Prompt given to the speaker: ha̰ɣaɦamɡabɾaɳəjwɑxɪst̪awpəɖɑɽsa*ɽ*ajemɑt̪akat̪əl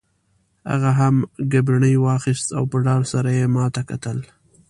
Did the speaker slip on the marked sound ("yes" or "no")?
yes